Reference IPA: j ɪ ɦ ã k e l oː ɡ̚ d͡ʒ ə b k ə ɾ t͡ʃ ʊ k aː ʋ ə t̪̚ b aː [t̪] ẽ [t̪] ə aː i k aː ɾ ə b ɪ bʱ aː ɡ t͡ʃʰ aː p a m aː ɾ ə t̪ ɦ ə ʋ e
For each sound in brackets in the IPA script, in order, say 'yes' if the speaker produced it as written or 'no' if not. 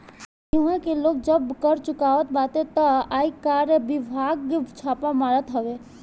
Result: yes, yes

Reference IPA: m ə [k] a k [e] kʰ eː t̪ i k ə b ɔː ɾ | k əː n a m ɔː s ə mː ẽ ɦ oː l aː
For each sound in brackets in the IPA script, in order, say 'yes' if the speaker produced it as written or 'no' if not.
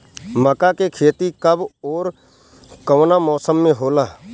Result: yes, yes

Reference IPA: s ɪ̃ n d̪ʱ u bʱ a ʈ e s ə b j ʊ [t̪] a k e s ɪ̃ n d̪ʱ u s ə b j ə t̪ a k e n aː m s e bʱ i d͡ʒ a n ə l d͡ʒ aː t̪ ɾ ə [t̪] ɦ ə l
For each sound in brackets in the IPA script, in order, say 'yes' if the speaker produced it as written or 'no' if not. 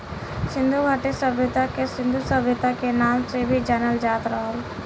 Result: yes, no

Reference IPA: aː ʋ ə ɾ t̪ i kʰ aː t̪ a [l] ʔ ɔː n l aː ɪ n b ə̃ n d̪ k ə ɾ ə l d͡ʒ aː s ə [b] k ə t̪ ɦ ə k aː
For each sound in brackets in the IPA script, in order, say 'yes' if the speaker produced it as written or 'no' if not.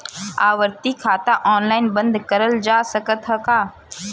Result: no, no

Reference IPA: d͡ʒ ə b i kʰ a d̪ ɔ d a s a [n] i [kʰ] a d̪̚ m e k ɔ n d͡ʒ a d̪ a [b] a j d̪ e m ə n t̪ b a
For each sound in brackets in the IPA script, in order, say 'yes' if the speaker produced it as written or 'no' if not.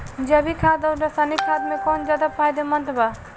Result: yes, yes, no

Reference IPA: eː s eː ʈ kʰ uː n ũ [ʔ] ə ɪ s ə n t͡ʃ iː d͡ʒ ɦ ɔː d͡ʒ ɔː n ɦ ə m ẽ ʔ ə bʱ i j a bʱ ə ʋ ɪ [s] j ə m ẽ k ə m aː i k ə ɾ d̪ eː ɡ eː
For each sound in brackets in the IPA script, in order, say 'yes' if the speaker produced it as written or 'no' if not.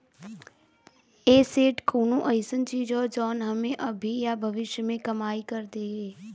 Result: yes, no

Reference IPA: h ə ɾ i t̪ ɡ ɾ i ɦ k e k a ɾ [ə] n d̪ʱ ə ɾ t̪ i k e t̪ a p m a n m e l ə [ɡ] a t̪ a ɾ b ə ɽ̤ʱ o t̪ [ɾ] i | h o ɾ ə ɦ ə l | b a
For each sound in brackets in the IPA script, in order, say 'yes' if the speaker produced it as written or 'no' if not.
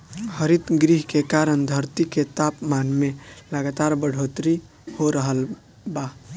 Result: yes, yes, yes

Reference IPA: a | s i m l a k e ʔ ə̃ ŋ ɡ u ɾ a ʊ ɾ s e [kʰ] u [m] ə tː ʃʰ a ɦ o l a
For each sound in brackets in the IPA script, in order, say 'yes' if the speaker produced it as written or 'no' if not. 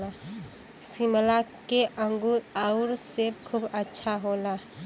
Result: yes, no

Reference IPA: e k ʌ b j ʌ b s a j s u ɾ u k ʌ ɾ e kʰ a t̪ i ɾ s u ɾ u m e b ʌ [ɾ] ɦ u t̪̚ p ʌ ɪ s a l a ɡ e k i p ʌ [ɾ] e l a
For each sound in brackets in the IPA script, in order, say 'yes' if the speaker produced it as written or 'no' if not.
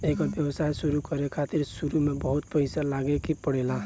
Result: no, no

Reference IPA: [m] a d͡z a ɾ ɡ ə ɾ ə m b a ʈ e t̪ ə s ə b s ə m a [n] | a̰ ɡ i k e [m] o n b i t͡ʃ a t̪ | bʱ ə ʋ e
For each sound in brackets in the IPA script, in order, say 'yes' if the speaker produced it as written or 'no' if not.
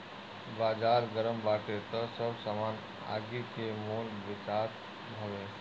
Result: no, yes, yes

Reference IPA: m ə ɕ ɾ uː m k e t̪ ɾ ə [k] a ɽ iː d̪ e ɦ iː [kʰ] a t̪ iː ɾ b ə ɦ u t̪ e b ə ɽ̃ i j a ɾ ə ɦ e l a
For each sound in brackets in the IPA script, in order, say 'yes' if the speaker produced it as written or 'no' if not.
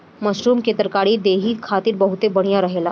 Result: yes, yes

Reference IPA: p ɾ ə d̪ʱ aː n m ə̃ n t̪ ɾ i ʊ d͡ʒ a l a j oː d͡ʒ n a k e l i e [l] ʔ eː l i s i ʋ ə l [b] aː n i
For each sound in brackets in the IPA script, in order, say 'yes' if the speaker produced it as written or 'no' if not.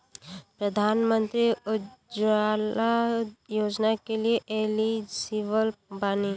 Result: no, yes

